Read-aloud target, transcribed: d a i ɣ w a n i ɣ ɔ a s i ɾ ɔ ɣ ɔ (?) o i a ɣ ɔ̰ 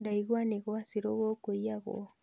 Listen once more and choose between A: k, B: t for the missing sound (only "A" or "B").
A